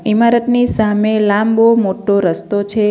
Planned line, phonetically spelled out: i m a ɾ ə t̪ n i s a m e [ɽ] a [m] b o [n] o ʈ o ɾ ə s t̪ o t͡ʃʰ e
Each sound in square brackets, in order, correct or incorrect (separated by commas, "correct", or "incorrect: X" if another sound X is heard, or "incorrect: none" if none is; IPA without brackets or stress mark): incorrect: l, correct, incorrect: m